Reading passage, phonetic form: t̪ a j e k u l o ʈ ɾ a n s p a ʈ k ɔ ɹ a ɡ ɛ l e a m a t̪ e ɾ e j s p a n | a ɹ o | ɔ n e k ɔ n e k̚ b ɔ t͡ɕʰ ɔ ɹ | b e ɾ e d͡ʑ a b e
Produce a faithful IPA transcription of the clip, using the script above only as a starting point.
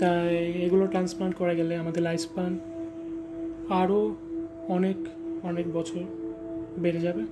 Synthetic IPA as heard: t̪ a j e ɡ u l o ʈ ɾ a n s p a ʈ k ɔ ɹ a ɡ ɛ l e a m a d̪ e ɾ a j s p a n | a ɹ o | ɔ n e k ɔ n e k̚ b ɔ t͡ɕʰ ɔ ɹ | b e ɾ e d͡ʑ a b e